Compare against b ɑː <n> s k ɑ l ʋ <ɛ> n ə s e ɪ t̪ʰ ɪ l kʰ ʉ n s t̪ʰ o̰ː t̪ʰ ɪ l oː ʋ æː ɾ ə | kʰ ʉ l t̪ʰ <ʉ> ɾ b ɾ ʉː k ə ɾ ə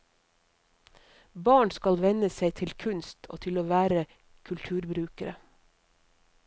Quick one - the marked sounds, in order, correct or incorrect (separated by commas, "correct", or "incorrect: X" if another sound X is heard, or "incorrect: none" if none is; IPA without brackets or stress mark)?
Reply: incorrect: ɳ, correct, incorrect: ʉː